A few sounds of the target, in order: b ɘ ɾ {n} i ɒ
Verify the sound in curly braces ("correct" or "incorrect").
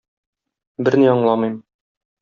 correct